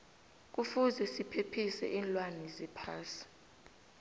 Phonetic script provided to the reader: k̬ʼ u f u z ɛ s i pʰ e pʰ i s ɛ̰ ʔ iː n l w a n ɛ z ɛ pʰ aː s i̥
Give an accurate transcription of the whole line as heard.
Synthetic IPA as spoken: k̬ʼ u f u z ɛ s i pʰ e pʰ i s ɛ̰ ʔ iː n l w a n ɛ z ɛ pʰ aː s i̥